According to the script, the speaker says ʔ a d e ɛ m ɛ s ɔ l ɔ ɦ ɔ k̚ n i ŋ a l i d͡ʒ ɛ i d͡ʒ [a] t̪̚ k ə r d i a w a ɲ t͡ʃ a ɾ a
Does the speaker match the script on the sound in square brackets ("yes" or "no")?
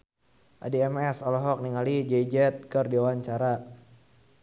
no